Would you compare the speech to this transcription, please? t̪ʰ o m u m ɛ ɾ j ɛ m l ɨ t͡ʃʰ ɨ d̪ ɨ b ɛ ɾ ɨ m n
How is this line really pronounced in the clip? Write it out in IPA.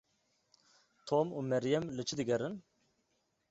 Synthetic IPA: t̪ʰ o m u m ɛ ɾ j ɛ m l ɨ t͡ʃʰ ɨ d̪ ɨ ɡ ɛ ɾ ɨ n